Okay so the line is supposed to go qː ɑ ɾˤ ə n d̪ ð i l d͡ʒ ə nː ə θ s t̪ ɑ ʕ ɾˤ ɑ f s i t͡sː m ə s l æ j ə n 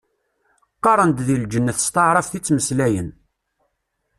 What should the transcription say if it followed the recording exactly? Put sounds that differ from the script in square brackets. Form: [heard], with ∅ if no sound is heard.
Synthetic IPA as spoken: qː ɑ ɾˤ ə n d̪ ð i l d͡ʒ ə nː ə θ s t̪ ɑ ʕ ɾˤ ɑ f [θ] i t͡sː m ə s l æ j ə n